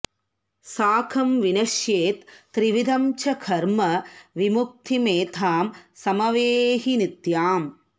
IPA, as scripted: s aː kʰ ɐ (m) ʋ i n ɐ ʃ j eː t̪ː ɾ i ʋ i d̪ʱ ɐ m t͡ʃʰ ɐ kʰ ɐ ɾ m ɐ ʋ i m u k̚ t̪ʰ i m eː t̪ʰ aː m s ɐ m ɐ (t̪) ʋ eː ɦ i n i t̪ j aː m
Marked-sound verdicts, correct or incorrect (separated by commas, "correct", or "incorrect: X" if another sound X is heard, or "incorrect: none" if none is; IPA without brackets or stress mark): correct, incorrect: none